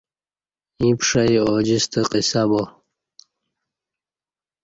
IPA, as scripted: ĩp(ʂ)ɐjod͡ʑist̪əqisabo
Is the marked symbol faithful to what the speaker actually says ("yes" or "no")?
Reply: yes